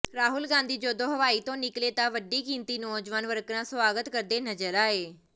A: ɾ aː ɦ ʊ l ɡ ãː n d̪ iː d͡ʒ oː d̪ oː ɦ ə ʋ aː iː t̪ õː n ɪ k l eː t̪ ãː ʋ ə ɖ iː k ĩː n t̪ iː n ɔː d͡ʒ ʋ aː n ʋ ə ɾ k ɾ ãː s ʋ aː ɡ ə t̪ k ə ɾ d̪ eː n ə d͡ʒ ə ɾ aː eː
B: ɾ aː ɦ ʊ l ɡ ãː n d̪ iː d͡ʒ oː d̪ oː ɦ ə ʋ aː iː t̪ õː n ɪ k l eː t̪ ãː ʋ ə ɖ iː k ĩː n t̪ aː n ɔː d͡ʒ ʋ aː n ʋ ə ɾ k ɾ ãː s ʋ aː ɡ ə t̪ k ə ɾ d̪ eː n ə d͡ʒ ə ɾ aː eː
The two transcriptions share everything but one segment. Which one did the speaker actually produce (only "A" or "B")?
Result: A